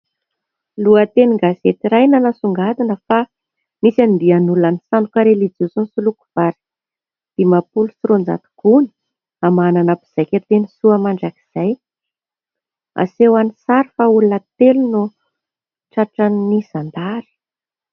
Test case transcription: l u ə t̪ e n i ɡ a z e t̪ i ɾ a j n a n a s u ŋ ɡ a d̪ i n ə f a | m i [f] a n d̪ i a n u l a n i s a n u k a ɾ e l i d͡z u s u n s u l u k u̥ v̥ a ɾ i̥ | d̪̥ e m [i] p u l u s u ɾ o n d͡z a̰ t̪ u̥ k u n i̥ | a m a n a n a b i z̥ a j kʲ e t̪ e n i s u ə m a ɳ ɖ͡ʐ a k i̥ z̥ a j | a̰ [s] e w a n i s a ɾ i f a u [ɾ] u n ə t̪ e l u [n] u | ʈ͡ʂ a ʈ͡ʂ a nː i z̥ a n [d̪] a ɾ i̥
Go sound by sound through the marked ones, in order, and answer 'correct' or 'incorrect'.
incorrect: s, incorrect: a, correct, incorrect: l, correct, correct

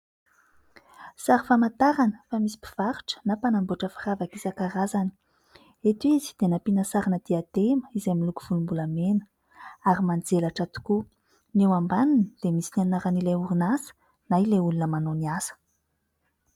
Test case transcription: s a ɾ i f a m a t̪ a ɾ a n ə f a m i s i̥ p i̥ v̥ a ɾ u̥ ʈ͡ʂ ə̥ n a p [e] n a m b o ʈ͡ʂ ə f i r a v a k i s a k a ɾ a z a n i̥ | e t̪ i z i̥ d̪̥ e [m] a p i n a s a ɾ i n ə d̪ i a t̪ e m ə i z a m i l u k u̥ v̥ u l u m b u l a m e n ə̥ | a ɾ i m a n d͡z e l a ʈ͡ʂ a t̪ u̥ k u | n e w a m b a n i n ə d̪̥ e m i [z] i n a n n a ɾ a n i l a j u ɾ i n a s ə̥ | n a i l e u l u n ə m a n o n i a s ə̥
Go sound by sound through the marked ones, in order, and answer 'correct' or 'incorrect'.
incorrect: a, incorrect: n, incorrect: s

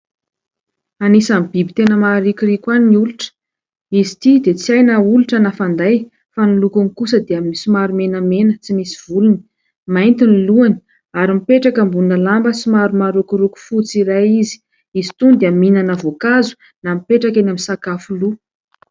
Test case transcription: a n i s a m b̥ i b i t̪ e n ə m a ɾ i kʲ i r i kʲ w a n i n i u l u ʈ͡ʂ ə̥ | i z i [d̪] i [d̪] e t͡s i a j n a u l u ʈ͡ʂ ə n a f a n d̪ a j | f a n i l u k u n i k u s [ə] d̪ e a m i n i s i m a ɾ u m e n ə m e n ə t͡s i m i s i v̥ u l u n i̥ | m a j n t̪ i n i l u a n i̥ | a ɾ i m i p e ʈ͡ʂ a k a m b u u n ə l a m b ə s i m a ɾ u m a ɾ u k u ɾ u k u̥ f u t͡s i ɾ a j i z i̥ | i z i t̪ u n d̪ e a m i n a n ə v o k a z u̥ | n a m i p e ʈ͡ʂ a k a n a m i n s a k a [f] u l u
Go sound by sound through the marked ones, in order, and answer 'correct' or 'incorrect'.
incorrect: t̪, correct, correct, correct

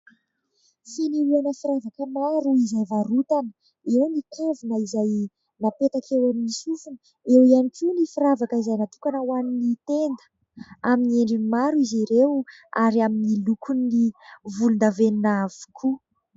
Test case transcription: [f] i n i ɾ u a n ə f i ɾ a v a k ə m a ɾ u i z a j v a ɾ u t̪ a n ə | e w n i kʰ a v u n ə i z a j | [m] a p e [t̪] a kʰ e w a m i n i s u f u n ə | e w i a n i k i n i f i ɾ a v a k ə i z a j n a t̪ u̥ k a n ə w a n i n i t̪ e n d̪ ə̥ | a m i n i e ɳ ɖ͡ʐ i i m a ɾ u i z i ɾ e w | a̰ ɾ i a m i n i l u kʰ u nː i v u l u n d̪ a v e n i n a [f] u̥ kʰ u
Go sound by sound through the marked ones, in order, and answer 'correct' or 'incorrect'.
correct, incorrect: n, correct, incorrect: v

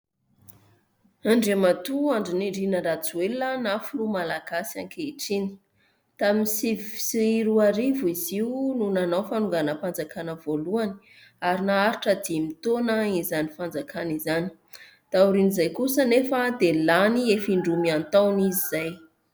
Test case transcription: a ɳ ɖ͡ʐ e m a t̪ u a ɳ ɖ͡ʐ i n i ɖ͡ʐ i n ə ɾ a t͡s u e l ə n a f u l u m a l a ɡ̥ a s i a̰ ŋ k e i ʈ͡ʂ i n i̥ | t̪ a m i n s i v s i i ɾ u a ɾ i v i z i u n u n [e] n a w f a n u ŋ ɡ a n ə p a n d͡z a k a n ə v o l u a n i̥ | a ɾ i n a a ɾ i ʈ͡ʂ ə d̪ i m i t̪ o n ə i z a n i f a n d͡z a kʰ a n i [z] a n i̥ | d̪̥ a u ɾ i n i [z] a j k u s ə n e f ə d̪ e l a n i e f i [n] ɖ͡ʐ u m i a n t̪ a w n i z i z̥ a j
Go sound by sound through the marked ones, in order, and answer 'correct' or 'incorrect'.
incorrect: a, correct, correct, incorrect: ɳ

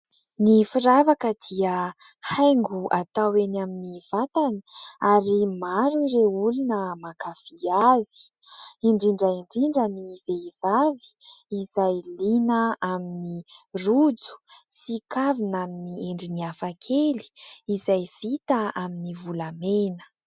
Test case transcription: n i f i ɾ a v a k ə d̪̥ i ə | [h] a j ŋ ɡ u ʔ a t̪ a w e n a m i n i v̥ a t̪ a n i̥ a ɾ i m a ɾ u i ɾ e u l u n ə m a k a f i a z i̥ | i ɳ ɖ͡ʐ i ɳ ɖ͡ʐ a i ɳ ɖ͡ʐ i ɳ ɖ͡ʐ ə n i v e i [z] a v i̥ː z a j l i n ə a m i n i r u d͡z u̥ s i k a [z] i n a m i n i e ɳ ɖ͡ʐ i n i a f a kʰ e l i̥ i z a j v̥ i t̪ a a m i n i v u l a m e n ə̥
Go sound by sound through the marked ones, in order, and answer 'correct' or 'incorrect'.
correct, incorrect: v, incorrect: v

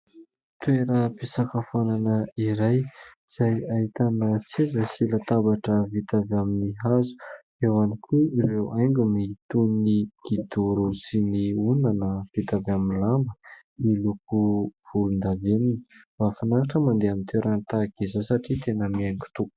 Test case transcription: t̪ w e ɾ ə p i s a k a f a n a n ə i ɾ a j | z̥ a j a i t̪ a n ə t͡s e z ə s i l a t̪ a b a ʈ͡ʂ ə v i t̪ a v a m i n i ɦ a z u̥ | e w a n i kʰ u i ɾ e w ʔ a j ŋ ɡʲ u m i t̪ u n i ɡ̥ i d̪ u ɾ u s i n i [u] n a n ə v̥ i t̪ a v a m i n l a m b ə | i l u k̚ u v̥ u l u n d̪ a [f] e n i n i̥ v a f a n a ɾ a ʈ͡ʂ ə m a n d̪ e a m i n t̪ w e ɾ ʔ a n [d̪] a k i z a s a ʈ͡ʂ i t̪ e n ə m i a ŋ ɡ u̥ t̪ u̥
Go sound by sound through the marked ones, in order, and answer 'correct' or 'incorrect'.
correct, incorrect: v, incorrect: t̪

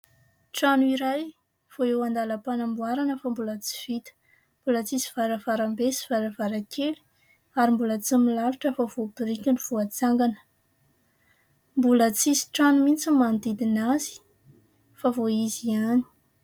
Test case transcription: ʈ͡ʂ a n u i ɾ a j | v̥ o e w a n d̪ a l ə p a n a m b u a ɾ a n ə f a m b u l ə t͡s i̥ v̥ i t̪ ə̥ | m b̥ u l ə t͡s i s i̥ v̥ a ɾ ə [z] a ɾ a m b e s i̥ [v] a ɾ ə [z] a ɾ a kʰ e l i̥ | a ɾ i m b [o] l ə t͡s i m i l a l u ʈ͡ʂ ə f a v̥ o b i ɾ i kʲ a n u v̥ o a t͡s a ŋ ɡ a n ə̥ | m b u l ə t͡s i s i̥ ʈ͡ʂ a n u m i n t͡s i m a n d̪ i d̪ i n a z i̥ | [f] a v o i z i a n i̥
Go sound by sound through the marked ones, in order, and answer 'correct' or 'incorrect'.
incorrect: v, correct, incorrect: v, incorrect: u, correct

